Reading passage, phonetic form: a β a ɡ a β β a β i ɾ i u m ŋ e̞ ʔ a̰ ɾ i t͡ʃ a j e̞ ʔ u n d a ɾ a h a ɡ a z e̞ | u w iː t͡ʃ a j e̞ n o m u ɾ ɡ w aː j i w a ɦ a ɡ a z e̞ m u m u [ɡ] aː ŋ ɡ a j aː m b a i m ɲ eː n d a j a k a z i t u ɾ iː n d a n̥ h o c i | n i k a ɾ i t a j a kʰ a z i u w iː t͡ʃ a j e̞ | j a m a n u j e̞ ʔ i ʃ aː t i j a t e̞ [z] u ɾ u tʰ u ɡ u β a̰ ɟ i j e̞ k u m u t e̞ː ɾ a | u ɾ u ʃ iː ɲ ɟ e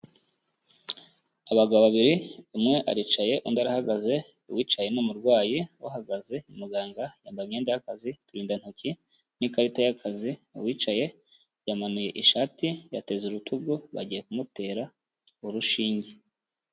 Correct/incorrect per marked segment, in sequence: correct, correct

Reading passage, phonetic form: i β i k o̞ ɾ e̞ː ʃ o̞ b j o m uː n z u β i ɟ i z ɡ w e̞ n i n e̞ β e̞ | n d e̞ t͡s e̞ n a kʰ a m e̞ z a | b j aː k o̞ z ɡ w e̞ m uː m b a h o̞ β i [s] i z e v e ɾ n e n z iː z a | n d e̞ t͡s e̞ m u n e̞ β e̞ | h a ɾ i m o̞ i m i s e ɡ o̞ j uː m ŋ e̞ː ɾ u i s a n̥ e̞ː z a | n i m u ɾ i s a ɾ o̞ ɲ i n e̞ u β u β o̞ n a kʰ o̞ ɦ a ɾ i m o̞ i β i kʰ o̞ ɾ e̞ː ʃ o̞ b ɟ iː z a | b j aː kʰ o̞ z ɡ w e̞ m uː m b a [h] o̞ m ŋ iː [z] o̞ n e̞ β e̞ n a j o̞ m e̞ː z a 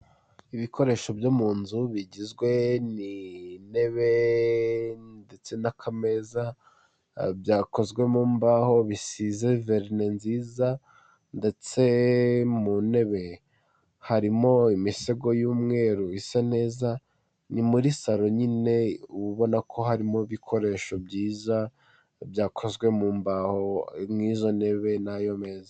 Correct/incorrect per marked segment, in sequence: correct, correct, correct

